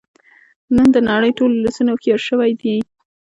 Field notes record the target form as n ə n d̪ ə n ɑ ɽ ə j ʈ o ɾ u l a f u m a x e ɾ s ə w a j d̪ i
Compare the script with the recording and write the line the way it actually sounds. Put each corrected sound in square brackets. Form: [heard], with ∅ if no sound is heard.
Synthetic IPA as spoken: n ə n d̪ ə n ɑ ɽ ə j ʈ o [l] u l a [s] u [n] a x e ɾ [ʃ] ə w a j d̪ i